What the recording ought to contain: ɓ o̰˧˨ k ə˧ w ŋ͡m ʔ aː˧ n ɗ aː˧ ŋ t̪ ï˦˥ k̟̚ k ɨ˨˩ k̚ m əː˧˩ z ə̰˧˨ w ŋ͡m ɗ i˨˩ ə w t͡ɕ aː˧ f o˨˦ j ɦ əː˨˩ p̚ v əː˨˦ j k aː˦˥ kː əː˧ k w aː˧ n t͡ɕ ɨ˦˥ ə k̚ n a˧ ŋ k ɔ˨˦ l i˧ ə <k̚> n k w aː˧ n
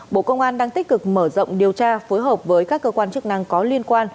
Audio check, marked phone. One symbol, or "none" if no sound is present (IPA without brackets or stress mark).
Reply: none